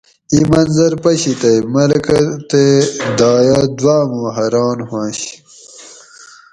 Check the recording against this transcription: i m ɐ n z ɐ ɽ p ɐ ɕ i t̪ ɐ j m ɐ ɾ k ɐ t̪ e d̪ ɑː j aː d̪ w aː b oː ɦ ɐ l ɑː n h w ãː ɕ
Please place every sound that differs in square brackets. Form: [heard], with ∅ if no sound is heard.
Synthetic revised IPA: i m ɐ n z ɐ [ɾ] p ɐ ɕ i t̪ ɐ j m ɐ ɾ k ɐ t̪ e d̪ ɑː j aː d̪ w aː [m] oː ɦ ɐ [ɾ] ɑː n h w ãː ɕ